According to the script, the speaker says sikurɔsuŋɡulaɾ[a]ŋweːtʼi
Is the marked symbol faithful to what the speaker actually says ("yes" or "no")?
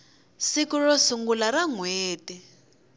yes